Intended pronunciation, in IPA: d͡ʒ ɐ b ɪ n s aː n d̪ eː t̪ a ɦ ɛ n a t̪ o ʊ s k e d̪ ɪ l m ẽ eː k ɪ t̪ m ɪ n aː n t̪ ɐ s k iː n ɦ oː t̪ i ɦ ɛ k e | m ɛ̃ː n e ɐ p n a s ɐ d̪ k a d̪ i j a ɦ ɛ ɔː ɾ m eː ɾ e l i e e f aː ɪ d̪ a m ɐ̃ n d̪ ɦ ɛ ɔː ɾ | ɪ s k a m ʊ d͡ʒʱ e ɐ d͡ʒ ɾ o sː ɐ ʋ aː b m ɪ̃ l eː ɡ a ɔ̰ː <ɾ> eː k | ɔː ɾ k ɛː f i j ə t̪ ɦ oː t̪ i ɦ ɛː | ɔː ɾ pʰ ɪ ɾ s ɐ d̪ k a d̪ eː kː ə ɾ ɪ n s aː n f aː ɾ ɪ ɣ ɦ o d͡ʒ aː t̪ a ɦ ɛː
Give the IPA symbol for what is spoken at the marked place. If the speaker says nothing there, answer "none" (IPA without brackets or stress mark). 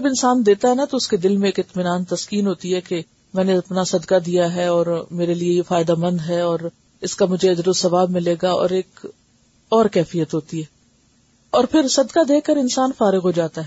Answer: ɾ